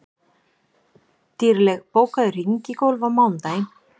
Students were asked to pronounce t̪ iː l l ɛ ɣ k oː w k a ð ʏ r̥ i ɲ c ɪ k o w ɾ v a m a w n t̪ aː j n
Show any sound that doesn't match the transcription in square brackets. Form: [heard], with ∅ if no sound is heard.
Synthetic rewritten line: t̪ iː [ɾ] l ɛ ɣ [p] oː w k a ð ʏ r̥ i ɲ c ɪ k o w [l] v a m a w n t̪ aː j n